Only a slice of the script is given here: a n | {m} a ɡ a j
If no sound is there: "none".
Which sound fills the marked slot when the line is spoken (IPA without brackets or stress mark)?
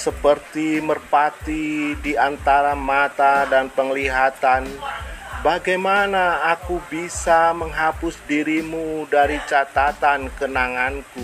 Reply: b